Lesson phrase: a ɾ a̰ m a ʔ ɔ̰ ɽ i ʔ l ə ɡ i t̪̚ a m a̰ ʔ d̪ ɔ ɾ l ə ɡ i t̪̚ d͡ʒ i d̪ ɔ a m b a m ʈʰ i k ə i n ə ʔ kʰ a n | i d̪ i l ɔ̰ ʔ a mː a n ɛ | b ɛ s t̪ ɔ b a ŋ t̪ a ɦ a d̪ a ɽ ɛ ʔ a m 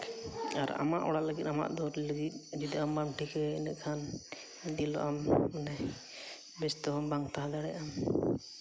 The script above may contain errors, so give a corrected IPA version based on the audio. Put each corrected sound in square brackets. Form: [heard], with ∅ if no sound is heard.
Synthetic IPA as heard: a ɾ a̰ m a ʔ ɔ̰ ɽ [a] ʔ l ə ɡ i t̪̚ a m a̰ ʔ d̪ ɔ ɾ l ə ɡ i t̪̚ d͡ʒ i d̪ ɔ a m b a m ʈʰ i k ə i n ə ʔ kʰ a n | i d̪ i l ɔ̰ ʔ a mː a n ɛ | b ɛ s t̪ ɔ b a ŋ t̪ a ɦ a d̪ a ɽ ɛ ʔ a m